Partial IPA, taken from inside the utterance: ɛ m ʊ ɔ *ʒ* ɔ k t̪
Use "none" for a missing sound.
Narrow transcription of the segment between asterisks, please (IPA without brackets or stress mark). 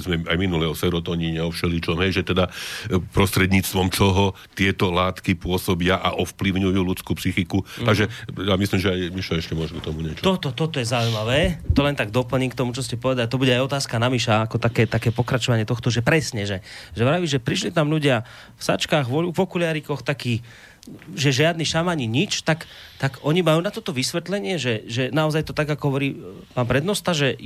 ʒ